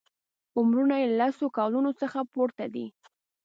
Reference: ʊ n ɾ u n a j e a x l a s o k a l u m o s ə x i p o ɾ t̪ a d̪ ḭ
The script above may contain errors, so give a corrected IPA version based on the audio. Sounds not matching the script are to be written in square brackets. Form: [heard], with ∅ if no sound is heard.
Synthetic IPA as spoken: ʊ [m] ɾ u n a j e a [∅] l a s o k [ɑ] l u [n] o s ə x [a] p o ɾ t̪ a d̪ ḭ